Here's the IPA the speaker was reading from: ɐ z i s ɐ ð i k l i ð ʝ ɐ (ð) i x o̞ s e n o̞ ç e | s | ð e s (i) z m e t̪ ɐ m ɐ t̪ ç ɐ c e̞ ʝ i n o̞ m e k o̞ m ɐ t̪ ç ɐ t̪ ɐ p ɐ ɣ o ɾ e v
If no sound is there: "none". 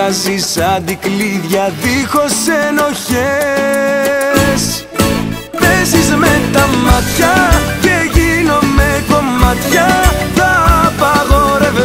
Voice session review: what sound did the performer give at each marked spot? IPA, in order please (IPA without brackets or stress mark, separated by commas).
ð, i